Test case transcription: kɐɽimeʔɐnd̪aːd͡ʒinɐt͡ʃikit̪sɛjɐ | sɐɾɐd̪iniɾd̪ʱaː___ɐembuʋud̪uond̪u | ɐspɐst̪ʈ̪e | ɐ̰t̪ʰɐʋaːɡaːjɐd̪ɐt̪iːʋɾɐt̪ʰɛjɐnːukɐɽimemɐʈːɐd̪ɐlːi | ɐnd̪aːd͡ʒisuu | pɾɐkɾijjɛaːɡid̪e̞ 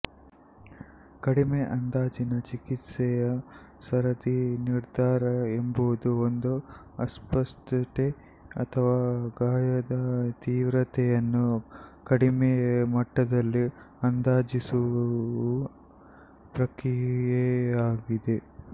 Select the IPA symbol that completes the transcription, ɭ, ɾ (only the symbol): ɾ